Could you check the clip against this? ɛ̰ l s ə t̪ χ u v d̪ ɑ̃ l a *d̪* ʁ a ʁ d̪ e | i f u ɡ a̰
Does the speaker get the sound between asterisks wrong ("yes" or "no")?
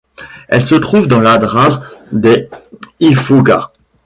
no